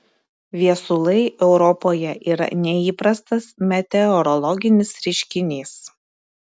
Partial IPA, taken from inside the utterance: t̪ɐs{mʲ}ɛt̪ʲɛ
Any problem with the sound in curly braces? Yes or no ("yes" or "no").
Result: no